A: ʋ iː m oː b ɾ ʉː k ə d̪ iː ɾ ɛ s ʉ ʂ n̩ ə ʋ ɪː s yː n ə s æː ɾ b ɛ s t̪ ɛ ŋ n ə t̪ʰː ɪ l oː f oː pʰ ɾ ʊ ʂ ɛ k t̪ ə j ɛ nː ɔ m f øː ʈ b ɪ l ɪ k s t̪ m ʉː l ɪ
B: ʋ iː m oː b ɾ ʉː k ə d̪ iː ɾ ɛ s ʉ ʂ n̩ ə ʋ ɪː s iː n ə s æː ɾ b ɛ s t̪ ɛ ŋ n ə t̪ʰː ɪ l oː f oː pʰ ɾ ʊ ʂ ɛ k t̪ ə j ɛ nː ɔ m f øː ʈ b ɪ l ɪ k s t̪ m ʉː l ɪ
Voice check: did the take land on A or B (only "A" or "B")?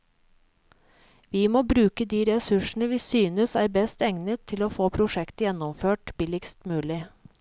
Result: A